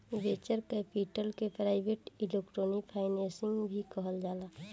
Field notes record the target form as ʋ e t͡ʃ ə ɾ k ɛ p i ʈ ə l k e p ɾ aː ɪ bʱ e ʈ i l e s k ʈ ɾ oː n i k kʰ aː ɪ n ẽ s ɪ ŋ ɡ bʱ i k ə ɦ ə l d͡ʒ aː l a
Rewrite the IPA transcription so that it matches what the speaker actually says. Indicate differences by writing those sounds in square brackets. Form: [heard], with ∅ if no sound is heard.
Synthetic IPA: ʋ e t͡ʃ ə ɾ k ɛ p i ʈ ə l k e p ɾ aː ɪ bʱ e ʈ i l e [∅] k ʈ ɾ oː n i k [pʰ] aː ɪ n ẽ s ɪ ŋ ɡ bʱ i k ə ɦ ə l d͡ʒ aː l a